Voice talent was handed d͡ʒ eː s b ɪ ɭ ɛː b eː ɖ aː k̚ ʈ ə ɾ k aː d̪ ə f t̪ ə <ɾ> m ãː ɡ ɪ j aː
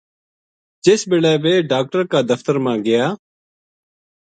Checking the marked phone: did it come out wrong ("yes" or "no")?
no